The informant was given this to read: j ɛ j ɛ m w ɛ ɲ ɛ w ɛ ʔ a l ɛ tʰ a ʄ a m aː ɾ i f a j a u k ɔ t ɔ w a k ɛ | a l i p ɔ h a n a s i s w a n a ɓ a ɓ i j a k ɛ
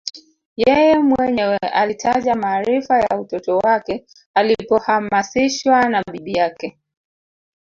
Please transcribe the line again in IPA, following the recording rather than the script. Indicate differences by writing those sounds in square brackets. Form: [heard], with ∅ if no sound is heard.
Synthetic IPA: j ɛ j ɛ m w ɛ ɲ ɛ w ɛ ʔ a l [i] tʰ a ʄ a m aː ɾ i f a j a u [t] ɔ t ɔ w a k ɛ | a l i p ɔ h a [m] a s i [ʃ] w a n a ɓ [i] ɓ i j a k ɛ